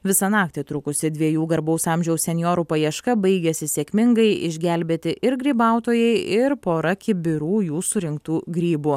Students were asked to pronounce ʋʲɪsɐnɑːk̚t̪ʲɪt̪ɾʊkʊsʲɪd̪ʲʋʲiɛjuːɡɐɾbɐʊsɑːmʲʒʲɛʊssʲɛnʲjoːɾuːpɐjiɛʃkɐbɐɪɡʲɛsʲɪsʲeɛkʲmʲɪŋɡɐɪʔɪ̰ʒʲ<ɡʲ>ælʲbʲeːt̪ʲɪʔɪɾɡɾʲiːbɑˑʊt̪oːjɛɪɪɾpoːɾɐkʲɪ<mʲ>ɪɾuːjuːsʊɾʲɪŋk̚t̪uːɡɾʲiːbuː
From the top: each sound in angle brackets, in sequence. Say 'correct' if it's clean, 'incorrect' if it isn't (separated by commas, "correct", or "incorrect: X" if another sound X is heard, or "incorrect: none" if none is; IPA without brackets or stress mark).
correct, incorrect: bʲ